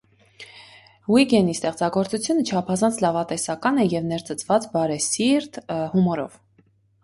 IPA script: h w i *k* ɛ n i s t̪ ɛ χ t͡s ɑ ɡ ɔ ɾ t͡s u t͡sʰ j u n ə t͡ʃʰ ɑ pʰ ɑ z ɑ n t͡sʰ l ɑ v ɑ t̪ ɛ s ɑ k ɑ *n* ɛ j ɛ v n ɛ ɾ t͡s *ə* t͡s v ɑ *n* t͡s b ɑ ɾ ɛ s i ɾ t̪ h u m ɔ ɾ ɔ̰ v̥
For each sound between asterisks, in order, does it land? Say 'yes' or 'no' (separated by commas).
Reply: no, yes, yes, no